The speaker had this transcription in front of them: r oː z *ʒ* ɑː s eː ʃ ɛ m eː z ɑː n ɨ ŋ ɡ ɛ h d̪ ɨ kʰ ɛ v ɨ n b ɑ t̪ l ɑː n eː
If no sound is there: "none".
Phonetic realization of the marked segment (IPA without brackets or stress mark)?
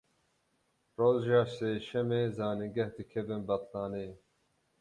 ʒ